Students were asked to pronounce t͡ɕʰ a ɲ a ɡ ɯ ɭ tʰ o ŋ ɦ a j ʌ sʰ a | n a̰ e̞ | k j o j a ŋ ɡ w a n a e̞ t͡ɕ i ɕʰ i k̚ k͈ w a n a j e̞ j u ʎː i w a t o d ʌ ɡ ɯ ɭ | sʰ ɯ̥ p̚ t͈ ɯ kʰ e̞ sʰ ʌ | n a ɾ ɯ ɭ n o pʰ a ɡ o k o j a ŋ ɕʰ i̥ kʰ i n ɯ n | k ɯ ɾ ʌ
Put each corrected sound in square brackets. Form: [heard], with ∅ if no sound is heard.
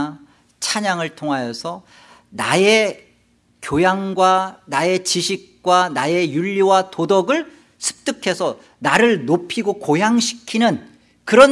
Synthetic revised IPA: t͡ɕʰ a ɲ a [ŋ] ɯ ɭ tʰ o ŋ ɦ a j ʌ sʰ [ʌ] | n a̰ e̞ | k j o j a ŋ ɡ w a n a e̞ t͡ɕ i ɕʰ i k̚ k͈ w a n a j e̞ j u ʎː i w a t o d ʌ ɡ ɯ ɭ | sʰ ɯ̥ p̚ t͈ ɯ kʰ e̞ sʰ ʌ | n a ɾ ɯ ɭ n o pʰ [i] ɡ o k o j a ŋ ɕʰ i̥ kʰ i n ɯ n | k ɯ ɾ ʌ